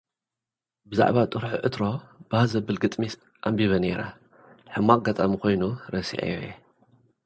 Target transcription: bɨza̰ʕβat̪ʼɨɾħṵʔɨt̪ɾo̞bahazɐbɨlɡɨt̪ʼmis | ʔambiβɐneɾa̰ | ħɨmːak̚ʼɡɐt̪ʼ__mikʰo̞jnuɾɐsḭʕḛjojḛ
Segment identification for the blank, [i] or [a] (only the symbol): a